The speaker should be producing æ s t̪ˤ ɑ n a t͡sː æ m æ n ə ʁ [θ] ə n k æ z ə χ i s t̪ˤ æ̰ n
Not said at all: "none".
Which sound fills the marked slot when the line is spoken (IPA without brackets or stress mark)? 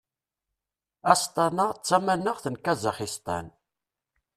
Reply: θ